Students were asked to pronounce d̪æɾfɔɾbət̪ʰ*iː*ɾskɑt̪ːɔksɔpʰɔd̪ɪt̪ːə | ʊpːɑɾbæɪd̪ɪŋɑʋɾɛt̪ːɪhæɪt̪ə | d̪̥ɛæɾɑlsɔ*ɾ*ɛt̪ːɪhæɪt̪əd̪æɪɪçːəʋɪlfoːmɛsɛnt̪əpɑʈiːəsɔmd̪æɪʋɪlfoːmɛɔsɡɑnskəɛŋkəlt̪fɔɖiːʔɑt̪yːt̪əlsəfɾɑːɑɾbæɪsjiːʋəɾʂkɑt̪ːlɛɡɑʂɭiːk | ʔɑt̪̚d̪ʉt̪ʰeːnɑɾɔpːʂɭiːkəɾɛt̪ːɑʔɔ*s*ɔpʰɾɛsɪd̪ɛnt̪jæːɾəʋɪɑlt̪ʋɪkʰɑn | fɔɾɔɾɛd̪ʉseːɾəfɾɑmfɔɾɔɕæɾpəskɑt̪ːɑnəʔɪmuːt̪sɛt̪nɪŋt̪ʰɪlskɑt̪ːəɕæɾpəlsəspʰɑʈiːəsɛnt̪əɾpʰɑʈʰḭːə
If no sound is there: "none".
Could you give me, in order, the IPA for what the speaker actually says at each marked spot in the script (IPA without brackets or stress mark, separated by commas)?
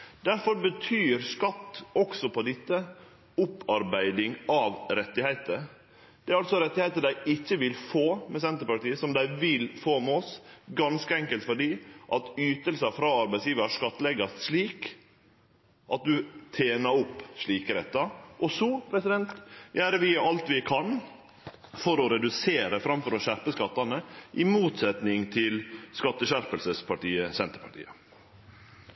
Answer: yː, ɾ, s